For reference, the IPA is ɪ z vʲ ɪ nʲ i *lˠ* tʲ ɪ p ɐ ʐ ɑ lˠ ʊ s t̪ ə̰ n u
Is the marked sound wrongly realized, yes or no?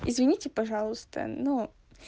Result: yes